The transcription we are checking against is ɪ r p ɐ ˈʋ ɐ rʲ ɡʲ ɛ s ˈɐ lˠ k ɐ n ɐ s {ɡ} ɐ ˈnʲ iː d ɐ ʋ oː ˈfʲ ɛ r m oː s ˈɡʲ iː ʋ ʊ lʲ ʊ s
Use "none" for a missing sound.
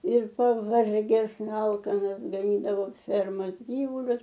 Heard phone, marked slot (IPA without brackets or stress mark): ɡ